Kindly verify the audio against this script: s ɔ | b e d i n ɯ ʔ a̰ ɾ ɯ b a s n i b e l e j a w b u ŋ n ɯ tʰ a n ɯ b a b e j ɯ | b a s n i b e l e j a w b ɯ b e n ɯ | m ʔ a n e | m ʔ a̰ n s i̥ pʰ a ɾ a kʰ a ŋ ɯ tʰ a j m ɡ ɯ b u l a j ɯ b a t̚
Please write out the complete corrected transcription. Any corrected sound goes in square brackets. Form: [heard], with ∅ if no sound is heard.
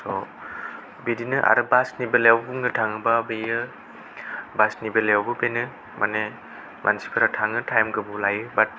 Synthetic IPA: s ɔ | b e d i n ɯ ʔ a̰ ɾ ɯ b a s n i b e l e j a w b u ŋ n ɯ tʰ a [ŋ] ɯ b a b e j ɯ | b a s n i b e l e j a w b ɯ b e n ɯ | m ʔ a n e | m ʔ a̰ n s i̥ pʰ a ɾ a [tʰ] a ŋ ɯ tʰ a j m ɡ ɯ b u l a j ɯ b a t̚